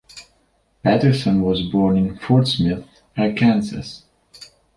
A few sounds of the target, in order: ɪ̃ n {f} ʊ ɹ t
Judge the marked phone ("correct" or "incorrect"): correct